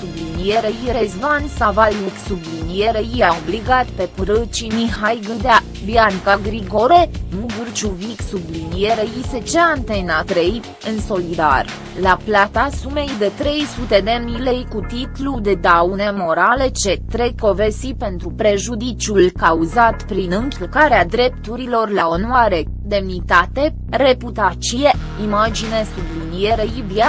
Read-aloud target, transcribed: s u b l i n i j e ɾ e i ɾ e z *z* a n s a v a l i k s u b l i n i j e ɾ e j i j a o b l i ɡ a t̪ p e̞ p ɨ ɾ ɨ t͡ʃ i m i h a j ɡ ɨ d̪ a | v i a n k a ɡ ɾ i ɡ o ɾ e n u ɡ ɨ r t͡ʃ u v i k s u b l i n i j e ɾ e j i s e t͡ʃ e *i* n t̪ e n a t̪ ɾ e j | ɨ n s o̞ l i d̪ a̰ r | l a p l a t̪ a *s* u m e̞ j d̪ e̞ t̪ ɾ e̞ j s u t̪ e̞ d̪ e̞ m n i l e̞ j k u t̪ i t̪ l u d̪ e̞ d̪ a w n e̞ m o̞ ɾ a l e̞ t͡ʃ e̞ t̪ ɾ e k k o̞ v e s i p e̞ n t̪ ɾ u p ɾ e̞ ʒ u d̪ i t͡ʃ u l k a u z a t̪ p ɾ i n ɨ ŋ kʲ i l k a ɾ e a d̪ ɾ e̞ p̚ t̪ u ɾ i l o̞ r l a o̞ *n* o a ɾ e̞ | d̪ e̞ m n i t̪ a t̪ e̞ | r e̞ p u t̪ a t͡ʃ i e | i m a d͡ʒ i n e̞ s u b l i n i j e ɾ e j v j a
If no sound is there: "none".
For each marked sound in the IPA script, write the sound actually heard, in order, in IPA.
v, a, s, n

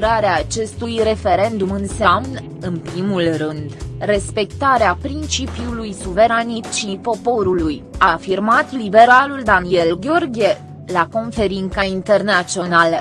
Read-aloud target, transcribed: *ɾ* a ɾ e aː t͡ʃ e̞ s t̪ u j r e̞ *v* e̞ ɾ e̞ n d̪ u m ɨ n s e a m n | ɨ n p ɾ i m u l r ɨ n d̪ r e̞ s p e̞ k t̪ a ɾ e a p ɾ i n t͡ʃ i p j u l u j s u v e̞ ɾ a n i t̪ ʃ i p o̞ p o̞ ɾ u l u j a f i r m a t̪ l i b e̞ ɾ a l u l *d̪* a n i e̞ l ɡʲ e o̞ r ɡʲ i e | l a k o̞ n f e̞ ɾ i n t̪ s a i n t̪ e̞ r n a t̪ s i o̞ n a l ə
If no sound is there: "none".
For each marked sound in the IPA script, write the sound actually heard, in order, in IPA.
ɾ, f, d̪

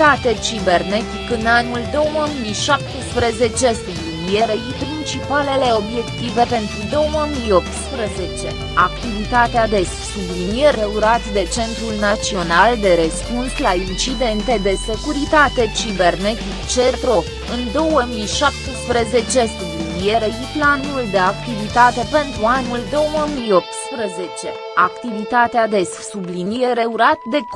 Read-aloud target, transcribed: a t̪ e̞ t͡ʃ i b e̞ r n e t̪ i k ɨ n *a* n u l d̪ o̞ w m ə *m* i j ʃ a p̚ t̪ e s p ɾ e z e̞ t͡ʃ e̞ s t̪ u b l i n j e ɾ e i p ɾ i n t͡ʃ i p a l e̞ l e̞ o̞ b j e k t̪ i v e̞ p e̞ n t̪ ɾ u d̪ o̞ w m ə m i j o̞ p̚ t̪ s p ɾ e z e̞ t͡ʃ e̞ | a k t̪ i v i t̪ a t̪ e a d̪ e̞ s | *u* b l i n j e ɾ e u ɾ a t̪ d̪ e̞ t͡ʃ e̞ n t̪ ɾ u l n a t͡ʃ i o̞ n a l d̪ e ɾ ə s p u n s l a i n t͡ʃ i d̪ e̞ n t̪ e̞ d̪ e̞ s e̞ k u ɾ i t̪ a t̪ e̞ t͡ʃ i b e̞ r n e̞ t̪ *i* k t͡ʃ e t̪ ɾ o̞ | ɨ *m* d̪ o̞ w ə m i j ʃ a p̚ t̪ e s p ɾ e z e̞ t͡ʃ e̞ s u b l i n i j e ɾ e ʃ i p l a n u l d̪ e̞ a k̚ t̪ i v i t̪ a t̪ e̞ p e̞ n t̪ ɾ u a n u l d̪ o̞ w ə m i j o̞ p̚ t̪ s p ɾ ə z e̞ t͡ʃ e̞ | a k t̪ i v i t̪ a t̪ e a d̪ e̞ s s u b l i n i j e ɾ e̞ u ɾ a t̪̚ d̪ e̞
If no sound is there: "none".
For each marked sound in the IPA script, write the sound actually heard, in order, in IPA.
a, m, u, i, n

